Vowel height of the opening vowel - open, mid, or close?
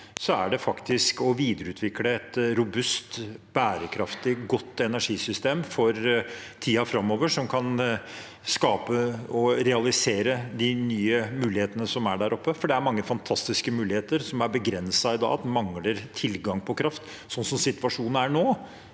mid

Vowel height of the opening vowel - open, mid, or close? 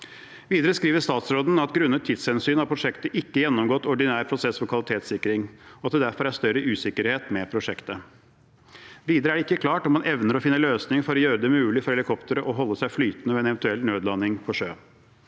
close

